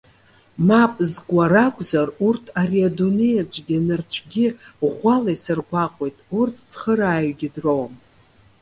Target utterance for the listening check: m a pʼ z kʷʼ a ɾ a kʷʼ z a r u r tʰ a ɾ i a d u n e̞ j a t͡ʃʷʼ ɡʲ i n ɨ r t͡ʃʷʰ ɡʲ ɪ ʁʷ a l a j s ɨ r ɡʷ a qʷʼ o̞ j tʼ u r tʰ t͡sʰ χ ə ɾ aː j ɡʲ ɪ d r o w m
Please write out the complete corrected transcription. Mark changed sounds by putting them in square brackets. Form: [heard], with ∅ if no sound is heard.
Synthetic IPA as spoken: m a pʼ z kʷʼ a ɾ a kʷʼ z a r u r tʰ a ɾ i a d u n e̞ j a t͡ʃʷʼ ɡʲ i n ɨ r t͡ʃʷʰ ɡʲ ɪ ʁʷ a l a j s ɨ r ɡʷ a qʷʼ o̞ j tʼ u r tʰ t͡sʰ χ ə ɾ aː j ɡʲ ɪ d r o w m